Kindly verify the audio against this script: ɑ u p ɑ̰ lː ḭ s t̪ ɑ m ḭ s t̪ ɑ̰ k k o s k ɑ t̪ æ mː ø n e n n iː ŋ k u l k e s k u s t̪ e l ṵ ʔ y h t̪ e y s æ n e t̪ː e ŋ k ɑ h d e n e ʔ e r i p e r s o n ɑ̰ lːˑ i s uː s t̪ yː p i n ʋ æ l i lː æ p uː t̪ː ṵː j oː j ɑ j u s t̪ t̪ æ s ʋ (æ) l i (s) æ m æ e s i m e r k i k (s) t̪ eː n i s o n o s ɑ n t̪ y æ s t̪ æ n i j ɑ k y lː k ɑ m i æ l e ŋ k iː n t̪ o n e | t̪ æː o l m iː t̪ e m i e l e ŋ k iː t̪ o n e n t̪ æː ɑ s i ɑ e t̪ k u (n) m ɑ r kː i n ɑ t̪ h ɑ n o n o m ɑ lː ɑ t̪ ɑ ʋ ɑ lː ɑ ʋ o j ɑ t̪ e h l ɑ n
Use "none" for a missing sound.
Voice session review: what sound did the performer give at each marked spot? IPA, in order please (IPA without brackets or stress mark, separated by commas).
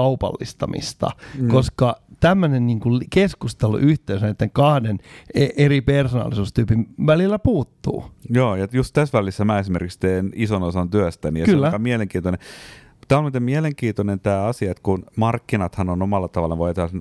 æ, sː, s, n